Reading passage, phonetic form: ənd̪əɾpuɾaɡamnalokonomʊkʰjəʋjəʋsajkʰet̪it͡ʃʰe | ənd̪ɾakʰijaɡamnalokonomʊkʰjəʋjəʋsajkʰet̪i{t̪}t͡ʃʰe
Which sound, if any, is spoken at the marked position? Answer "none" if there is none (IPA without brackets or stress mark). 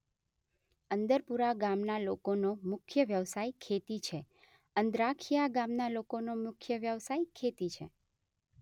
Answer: none